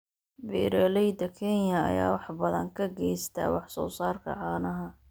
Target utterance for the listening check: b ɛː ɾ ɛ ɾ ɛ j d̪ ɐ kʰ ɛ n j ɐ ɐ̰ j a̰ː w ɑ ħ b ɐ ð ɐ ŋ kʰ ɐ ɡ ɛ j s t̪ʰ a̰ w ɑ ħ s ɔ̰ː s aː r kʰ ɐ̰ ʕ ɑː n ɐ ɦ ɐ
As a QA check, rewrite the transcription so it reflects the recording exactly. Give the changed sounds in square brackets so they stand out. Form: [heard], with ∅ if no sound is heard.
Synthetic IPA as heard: b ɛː ɾ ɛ [l] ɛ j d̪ ɐ kʰ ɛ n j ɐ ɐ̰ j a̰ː w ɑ ħ b ɐ ð ɐ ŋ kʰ ɐ ɡ ɛ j s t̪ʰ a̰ w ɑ ħ s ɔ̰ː s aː r kʰ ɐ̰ ʕ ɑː n ɐ ɦ ɐ